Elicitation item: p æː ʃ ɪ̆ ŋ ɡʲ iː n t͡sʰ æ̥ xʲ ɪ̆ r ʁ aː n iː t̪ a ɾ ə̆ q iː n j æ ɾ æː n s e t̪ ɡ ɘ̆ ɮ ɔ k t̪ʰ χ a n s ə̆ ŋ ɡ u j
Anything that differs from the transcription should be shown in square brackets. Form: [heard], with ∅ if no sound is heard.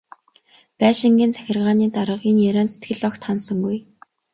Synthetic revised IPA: p æː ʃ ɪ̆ ŋ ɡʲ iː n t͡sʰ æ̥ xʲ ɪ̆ r ʁ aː n iː t̪ a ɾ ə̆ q iː n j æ ɾ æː n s e t̪ ɡ ɘ̆ ɮ ɔ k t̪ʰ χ a n s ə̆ ŋ ɡ u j